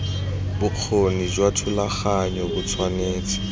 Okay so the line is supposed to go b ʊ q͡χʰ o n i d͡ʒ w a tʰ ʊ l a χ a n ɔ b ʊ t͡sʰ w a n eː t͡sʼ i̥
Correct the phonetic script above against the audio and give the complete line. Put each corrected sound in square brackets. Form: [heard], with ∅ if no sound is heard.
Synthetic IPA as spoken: b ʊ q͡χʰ o n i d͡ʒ w a tʰ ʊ l a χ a [ɲ] ɔ b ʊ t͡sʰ w a n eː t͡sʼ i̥